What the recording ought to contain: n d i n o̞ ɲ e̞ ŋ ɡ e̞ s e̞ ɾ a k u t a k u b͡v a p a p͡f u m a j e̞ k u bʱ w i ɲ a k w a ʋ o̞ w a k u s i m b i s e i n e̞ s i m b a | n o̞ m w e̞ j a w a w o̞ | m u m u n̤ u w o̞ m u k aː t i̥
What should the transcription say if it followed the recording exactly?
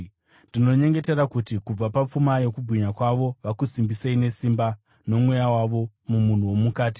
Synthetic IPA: n d i n o̞ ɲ e̞ ŋ ɡ e̞ t e̞ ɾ a k u t i k u b͡v a p a p͡f u m a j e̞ k u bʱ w i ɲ a k w a ʋ o̞ ʋ a k u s i m b i s e i n e̞ s i m b a | n o̞ m w e̞ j a w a ʋ o̞ | m u m u n̤ u w o̞ m u k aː t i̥